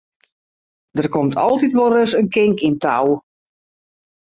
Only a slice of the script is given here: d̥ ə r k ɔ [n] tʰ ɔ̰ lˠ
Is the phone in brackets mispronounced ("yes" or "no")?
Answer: yes